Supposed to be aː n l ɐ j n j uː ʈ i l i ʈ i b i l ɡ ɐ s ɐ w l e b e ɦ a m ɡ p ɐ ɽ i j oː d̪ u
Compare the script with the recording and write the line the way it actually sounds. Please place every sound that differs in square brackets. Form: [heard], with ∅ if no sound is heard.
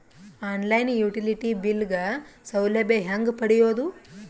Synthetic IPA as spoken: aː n l ɐ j n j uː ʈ i l i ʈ i b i l ɡ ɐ s ɐ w l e b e ɦ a [ŋ] ɡ p ɐ ɽ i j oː d̪ u